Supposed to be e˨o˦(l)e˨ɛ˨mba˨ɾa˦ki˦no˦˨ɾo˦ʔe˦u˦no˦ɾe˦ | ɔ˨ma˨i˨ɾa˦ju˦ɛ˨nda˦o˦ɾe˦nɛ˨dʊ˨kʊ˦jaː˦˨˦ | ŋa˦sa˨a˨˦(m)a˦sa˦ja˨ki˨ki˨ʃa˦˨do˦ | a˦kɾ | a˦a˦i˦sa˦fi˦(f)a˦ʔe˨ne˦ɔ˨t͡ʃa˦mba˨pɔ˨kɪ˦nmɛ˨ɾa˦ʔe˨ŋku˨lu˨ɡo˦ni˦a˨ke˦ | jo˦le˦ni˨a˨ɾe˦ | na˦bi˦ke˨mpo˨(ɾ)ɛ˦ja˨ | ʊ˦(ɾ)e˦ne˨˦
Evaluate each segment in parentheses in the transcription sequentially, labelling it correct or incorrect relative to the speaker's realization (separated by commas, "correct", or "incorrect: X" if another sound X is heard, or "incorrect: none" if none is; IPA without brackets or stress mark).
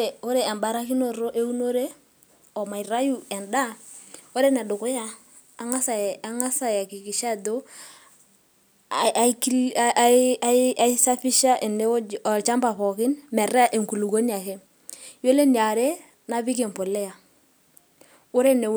incorrect: ɾ, incorrect: ŋ, incorrect: ʃ, incorrect: l, correct